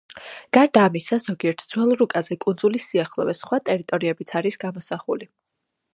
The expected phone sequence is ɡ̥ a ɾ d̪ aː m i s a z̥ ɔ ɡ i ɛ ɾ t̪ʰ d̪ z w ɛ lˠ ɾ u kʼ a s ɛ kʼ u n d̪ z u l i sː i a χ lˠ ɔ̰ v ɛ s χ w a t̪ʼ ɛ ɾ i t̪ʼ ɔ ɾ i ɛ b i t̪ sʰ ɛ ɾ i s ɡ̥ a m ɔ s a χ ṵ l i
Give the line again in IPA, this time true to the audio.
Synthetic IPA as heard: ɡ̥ a ɾ d̪ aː m i s a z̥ ɔ ɡ i ɛ ɾ t̪ʰ d̪ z w ɛ lˠ ɾ u kʼ a z ɛ kʼ u n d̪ z u l i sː i a χ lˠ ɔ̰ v ɛ s χ w a t̪ʼ ɛ ɾ i t̪ʼ ɔ ɾ i ɛ b i t̪ sʰ a ɾ i s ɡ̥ a m ɔ s a χ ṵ l i